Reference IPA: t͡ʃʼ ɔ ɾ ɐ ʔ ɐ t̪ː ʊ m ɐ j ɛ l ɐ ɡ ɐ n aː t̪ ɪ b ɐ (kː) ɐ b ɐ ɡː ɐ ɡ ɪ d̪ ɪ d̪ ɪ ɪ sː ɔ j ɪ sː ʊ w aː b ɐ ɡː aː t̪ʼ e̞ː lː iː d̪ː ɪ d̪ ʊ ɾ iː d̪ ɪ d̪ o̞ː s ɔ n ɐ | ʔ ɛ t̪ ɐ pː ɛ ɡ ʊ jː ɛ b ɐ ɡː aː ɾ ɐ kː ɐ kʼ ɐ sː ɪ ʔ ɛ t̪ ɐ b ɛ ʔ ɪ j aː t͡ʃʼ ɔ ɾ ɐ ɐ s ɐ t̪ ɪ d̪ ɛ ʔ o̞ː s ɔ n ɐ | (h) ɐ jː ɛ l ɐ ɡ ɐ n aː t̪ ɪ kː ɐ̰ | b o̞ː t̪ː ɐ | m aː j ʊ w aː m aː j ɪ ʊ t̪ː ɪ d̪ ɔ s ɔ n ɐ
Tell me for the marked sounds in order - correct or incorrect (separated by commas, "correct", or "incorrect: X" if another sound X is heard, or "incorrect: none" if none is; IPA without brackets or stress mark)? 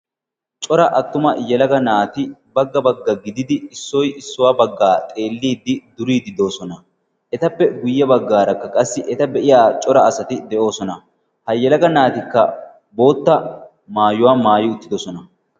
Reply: incorrect: ɡː, correct